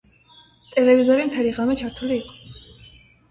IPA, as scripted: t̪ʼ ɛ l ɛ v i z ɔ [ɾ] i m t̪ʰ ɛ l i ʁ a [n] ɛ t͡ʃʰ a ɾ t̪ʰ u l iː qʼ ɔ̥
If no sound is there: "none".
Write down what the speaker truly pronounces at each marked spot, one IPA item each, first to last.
ɾ, m

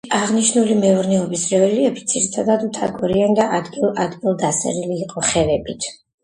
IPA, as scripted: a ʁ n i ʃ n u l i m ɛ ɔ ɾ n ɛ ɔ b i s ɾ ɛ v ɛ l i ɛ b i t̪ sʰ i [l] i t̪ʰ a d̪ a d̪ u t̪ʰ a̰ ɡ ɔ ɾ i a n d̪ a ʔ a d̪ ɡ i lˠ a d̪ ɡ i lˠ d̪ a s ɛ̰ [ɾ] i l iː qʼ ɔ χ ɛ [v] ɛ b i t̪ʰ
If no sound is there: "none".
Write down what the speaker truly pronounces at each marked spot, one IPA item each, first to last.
ɾ, ɾ, v

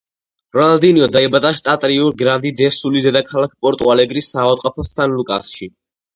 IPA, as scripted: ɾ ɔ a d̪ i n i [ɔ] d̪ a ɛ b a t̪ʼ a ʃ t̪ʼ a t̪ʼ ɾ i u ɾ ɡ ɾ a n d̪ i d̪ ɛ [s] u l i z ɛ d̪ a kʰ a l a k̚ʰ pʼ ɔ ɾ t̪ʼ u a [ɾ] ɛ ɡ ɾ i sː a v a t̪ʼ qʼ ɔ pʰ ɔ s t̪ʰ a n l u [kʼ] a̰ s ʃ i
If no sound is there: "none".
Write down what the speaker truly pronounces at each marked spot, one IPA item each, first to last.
ɔ, s, l, kʼ

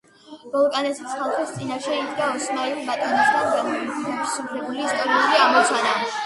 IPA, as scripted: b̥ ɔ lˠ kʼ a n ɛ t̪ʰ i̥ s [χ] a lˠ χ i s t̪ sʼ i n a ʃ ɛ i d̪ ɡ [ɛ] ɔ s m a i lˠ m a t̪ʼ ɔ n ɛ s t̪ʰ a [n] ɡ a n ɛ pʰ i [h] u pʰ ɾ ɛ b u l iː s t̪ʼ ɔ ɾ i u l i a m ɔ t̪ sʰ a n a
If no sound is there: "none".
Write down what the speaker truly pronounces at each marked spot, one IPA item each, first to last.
χ, a, n, s

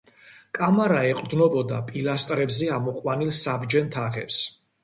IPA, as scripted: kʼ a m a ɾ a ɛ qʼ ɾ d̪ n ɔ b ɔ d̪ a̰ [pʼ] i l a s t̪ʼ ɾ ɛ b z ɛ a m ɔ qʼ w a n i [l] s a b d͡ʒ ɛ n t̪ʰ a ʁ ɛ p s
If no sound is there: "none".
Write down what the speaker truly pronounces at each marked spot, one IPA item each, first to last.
pʼ, l

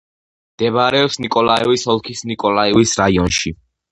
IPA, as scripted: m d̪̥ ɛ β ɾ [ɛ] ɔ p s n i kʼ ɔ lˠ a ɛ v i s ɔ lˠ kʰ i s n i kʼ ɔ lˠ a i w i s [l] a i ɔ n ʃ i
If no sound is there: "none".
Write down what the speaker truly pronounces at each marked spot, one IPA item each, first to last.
ɛ, ɾ

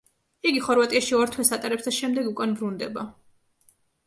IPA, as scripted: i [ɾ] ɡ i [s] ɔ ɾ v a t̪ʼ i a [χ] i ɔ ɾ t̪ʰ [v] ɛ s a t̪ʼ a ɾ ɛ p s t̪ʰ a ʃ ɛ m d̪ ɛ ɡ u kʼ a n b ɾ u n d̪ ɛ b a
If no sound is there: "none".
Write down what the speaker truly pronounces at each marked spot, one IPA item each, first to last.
none, χ, ʃ, w

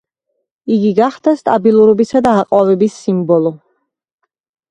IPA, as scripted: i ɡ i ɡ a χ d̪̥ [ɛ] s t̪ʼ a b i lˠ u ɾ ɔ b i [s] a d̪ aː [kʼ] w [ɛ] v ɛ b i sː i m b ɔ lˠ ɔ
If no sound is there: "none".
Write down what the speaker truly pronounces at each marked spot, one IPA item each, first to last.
a, s, qʼ, a

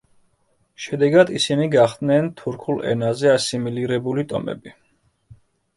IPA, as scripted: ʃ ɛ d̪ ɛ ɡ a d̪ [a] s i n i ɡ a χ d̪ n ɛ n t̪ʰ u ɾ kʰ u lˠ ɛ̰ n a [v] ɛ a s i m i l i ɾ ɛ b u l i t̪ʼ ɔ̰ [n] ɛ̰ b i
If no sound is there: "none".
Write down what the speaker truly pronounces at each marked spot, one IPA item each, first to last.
i, z, m

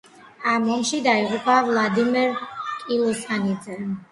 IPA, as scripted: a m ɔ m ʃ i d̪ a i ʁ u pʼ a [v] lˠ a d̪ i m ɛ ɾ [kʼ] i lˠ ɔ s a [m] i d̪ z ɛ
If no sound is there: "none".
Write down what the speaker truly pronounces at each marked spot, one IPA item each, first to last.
v, kʼ, n

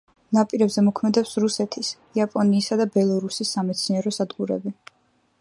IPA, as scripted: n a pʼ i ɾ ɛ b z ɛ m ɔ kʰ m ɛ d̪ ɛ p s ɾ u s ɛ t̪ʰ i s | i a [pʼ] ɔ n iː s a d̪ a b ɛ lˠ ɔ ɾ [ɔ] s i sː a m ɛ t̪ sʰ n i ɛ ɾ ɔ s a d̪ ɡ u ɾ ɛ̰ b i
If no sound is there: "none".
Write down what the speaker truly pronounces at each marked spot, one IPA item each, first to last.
pʼ, u

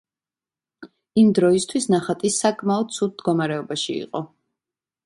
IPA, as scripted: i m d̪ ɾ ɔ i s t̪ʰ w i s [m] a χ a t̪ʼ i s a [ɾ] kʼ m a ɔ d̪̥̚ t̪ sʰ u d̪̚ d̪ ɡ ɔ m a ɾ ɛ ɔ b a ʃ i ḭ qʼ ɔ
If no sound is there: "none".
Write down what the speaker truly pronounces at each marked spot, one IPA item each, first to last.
n, none

